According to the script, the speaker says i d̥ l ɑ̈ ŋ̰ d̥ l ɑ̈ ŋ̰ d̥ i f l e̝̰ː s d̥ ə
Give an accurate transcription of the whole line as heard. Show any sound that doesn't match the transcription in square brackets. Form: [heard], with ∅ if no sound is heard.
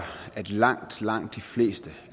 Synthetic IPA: [æ] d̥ l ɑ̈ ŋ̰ d̥ l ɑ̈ ŋ̰ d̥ i f l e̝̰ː s d̥ ə